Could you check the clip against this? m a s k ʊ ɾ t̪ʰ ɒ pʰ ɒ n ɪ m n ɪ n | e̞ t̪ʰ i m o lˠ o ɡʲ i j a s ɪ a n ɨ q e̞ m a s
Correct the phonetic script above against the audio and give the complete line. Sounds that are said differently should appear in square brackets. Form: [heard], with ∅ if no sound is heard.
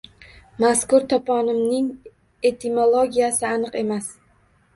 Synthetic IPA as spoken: m a s k ʊ ɾ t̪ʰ ɒ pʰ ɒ n ɪ m n ɪ [ŋ] | e̞ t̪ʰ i m o lˠ o ɡʲ i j a s ɪ a n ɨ q e̞ m a s